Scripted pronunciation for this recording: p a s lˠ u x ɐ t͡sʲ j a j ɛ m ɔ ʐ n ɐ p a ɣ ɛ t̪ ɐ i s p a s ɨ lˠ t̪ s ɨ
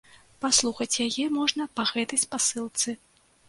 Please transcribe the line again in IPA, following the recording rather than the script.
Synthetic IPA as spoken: p a s lˠ u x ɐ t͡sʲ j a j ɛ m ɔ ʐ n ɐ p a ɣ ɛ t̪ ɐ j s p a s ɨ lˠ t̪ s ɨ